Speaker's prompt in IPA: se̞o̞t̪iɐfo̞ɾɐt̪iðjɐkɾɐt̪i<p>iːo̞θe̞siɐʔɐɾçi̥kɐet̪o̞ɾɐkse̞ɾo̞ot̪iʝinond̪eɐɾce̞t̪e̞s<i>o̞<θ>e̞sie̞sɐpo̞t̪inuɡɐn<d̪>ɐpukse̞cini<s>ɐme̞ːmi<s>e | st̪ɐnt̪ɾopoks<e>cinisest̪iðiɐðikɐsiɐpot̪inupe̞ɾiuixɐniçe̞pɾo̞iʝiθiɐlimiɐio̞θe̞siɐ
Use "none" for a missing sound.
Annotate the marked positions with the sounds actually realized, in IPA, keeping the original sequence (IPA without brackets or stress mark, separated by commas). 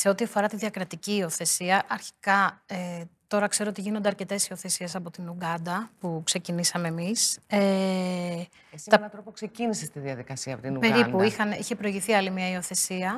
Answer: c, i, θ, d̪, s, s, e